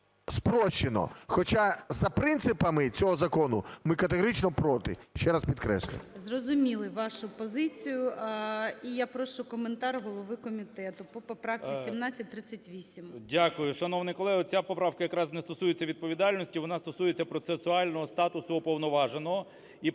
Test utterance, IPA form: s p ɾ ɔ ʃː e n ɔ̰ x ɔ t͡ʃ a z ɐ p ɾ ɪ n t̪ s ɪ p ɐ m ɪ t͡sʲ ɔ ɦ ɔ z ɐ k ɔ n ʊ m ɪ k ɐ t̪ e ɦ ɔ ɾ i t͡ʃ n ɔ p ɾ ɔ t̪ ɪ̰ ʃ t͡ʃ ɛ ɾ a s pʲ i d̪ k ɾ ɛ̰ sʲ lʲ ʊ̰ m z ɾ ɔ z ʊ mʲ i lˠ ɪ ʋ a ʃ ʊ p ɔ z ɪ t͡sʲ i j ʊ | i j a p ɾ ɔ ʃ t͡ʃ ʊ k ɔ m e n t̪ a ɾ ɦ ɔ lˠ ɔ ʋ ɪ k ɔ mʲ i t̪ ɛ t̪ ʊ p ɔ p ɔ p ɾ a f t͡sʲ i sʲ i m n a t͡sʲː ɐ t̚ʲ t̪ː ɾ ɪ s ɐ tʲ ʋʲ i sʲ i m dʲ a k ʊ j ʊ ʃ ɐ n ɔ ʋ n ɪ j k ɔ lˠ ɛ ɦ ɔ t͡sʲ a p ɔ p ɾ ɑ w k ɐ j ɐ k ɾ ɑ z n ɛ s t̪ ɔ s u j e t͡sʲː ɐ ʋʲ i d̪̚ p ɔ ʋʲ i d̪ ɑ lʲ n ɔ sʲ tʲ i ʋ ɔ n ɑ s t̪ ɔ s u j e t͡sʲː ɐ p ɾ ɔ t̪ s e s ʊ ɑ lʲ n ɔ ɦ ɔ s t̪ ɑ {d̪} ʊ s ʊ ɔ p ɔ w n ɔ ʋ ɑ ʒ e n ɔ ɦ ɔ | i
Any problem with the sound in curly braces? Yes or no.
yes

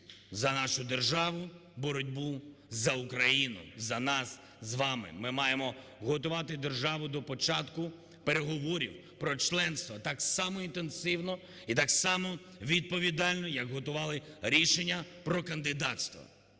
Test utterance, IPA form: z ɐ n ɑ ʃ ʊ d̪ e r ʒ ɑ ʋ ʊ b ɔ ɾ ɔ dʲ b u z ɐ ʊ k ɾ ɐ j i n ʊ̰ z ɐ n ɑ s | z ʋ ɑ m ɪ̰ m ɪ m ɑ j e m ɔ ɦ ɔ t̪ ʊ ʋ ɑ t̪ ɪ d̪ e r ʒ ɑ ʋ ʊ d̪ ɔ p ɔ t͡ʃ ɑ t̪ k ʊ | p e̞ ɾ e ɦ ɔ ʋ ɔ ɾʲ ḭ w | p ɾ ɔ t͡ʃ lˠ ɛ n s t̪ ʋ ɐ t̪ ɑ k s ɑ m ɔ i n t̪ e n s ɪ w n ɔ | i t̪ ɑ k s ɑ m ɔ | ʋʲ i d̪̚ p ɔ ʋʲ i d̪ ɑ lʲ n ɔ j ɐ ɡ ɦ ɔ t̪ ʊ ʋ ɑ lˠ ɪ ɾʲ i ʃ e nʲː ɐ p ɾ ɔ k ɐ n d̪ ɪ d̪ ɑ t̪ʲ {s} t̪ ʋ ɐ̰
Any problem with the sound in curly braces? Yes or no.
no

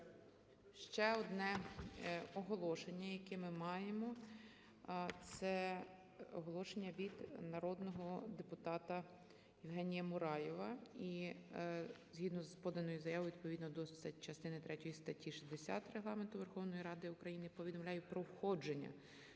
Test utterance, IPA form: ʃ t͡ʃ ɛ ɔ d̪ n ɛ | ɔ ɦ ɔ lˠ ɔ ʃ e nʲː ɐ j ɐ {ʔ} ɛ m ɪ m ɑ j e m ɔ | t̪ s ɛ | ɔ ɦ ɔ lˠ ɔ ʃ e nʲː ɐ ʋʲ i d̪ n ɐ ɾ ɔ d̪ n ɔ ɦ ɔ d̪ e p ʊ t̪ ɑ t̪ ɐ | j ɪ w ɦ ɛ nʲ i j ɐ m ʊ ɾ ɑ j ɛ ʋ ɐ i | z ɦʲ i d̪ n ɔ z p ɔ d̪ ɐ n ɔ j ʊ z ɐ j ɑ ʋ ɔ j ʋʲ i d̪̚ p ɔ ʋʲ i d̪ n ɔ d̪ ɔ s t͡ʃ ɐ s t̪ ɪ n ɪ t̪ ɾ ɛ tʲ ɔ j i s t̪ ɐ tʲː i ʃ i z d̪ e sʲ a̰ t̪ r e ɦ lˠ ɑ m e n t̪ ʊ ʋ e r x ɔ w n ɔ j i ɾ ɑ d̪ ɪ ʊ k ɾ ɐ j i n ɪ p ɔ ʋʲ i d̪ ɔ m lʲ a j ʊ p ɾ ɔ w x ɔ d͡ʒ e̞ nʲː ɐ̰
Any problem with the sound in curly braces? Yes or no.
yes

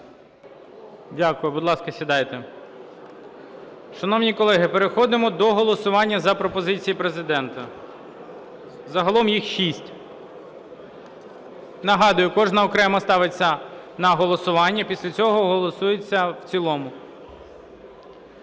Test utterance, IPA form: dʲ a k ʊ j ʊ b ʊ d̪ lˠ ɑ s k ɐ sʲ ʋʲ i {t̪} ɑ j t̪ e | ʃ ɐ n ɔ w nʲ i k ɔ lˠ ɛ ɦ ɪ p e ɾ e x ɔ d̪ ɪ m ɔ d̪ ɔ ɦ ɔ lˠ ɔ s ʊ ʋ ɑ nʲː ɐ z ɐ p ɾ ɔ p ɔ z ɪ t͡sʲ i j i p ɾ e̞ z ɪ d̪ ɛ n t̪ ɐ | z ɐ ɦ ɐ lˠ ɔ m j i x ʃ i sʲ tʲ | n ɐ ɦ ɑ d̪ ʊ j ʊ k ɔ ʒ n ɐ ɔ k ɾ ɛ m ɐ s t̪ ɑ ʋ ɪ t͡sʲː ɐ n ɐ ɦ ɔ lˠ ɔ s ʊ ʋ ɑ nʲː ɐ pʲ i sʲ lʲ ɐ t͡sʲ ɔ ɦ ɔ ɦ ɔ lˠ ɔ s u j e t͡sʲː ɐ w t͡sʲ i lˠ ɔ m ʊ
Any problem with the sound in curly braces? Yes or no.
yes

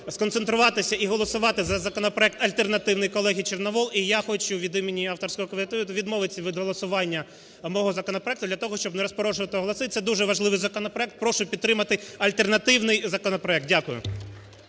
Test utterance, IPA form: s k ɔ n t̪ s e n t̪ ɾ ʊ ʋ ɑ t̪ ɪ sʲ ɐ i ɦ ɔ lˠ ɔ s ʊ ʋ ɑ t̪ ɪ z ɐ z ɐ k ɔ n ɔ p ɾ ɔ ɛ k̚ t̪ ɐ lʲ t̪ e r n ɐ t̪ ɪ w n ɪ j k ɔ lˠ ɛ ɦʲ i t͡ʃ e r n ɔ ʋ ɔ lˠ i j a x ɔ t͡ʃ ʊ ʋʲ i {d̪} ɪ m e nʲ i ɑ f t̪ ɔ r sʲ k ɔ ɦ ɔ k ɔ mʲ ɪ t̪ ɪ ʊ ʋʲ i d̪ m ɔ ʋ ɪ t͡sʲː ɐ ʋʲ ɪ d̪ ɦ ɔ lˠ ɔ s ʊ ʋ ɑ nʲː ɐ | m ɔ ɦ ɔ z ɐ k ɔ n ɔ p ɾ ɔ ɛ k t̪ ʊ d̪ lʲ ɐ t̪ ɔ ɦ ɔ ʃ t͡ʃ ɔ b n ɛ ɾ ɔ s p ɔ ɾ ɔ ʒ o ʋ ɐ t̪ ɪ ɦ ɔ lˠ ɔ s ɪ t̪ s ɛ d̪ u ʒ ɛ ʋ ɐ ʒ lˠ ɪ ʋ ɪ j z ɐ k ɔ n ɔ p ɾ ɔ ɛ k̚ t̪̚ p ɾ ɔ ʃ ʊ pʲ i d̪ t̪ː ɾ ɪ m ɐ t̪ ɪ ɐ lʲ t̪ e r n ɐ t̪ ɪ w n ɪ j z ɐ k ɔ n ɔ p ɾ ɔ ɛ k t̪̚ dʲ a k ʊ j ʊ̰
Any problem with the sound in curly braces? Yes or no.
no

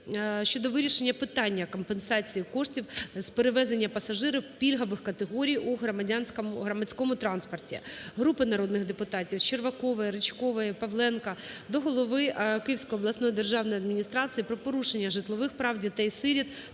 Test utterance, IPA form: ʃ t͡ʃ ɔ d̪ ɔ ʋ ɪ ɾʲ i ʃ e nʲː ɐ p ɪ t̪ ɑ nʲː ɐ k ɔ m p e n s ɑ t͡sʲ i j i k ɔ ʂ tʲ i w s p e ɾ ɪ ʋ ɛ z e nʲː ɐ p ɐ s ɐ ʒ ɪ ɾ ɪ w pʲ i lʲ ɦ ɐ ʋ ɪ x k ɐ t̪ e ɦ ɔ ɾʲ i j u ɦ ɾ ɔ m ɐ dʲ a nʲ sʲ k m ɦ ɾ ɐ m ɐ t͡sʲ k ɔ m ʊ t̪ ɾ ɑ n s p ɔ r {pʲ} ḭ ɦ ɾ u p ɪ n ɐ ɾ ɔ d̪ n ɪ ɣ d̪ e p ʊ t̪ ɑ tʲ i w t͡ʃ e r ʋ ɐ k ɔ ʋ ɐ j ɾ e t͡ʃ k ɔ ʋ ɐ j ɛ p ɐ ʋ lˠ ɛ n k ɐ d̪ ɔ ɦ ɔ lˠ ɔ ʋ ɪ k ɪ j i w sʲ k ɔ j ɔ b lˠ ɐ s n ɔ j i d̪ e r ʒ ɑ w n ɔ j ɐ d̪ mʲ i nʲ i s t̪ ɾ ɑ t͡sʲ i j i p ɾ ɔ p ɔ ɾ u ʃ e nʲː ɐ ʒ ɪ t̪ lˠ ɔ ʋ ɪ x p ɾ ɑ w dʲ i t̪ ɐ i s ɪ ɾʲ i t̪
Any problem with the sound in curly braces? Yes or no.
yes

